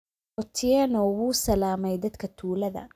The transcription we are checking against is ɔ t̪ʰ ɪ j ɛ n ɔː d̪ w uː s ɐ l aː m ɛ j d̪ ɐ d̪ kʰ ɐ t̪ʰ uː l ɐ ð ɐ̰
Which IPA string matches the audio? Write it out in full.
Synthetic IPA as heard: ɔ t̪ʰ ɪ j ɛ n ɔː w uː s ɐ l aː m ɛ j d̪ ɐ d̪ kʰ ɐ t̪ʰ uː l ɐ ð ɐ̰